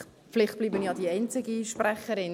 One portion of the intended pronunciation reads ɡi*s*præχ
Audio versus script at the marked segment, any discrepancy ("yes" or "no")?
yes